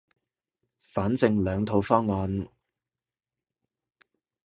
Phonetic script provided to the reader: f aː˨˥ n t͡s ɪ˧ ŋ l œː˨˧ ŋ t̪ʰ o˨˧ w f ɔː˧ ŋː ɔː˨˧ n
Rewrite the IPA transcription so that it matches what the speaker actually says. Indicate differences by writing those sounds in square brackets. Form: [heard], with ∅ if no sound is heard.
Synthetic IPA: f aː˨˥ n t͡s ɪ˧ ŋ l œː˨˧ ŋ t̪ʰ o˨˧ w f [ɔː˥] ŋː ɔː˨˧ n